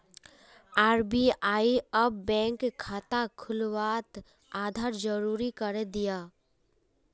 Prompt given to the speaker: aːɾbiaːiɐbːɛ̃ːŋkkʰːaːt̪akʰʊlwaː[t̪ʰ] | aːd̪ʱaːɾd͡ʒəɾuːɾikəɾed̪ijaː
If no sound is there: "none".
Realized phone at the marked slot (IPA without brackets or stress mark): t̪